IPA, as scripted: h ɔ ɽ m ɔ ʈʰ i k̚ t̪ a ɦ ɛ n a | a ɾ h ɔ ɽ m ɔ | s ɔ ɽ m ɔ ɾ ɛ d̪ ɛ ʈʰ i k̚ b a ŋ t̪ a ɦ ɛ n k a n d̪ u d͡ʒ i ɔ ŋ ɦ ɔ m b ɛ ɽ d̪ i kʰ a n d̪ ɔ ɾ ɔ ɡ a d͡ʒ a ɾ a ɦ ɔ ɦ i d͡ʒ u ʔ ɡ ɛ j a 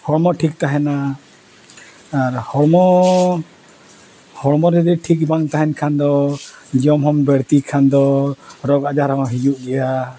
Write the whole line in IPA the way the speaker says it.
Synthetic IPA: h ɔ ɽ m ɔ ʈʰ i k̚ t̪ a ɦ ɛ n a | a ɾ h ɔ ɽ m ɔ | h ɔ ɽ m ɔ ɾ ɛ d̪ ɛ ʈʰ i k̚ b a ŋ t̪ a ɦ ɛ n kʰ a n d̪ ɔ d͡ʒ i ɔ m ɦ ɔ m b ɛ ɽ t̪ i kʰ a n d̪ ɔ ɾ ɔ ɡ a d͡ʒ a ɾ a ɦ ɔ ɦ i d͡ʒ u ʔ ɡ ɛ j a

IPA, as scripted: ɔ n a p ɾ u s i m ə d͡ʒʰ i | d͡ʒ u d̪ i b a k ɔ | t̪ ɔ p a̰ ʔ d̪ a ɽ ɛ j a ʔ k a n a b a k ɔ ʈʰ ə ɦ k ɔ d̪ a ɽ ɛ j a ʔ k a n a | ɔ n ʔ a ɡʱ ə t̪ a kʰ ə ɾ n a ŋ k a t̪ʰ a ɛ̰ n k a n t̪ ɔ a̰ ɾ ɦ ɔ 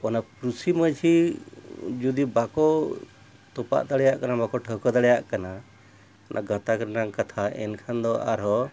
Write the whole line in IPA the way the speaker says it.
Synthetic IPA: ɔ n a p ɾ u s i m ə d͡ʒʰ i | d͡ʒ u d̪ i b a k ɔ | t̪ ɔ p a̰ ʔ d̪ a ɽ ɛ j a ʔ k a n a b a k ɔ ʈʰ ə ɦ k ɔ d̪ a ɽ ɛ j a ʔ k a n a | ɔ n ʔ a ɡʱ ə t̪ a k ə ɾ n a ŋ k a t̪ʰ a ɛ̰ n kʰ a n d̪ ɔ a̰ ɾ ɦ ɔ

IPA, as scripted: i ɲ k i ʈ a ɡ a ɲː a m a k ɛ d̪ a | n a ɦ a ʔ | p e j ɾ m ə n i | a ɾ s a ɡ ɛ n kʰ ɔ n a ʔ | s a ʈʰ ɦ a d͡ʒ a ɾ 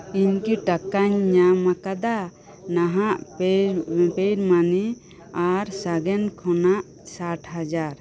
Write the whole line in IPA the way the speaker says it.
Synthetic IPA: i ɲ k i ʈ a k a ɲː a m a k a d̪ a | n a ɦ a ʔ | p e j ɾ m a n i | a ɾ s a ɡ ɛ n kʰ ɔ n a ʔ | s a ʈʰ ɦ a d͡ʒ a ɾ

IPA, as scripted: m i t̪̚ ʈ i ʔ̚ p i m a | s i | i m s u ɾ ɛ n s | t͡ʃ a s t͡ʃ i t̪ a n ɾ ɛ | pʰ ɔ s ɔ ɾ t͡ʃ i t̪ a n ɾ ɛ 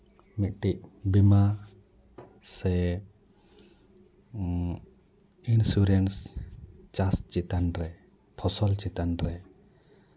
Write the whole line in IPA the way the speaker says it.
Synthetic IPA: m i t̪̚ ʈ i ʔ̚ b i m a | s ɛ | i n s u ɾ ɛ n s | t͡ʃ a s t͡ʃ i t̪ a n ɾ ɛ | pʰ ɔ s ɔ l t͡ʃ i t̪ a n ɾ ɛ

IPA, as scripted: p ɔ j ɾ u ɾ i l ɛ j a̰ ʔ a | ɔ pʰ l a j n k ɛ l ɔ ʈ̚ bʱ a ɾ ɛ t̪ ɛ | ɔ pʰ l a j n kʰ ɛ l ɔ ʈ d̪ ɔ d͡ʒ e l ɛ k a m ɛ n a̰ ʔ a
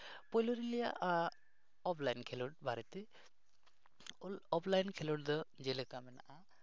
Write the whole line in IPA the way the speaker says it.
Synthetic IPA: p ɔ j l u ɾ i l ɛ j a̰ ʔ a | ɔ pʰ l a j n kʰ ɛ l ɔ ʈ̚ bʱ a ɾ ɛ t̪ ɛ | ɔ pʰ l a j n kʰ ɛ l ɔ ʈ d̪ ɔ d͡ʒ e l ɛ k a m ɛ n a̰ ʔ a

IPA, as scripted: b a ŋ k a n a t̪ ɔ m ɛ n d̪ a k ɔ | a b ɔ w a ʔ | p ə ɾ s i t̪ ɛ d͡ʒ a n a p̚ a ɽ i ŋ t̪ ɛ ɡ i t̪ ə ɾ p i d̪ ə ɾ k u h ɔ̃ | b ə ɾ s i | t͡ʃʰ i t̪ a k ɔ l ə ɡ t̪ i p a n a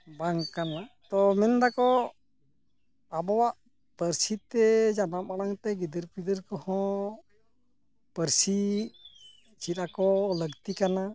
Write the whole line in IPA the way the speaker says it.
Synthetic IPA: b a ŋ k a n a t̪ ɔ m ɛ n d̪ a k ɔ | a b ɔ w a ʔ | p ə ɾ s i t̪ ɛ d͡ʒ a n a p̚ a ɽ a ŋ t̪ ɛ ɡ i d̪ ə ɾ p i d̪ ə ɾ k ɔ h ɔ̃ | p ə ɾ s i | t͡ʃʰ i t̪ a k ɔ l ə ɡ t̪ i k a n a

